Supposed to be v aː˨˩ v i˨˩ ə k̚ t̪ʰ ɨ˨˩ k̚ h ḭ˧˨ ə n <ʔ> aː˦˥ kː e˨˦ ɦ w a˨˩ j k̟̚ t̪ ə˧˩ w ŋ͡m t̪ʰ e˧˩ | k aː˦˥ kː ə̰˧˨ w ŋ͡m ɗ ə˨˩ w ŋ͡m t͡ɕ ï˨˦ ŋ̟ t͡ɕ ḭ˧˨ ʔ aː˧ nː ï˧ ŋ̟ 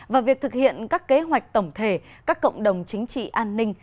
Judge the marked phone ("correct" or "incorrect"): incorrect